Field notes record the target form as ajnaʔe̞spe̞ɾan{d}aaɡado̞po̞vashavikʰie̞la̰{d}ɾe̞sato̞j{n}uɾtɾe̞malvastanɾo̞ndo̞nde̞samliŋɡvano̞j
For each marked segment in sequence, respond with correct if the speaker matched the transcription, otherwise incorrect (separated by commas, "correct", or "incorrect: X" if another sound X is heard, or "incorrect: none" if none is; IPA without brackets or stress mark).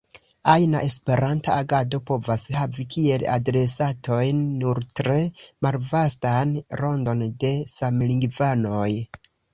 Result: incorrect: t, correct, incorrect: nː